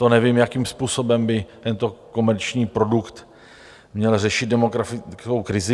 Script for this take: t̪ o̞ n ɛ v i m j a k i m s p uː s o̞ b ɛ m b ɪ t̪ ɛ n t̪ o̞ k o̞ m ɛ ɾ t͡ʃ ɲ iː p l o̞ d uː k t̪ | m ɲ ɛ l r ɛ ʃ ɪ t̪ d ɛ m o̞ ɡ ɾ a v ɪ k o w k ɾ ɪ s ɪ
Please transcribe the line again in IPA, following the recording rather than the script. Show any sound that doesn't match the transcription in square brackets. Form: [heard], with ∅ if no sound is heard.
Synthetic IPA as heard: t̪ o̞ n ɛ v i m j a k i m s p uː s o̞ b ɛ m b ɪ t̪ ɛ n t̪ o̞ k o̞ m ɛ ɾ t͡ʃ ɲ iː p [ɾ] o̞ d [u] k t̪ | m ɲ ɛ l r ɛ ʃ ɪ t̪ d ɛ m o̞ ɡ ɾ a [f] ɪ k o w k ɾ ɪ [z] ɪ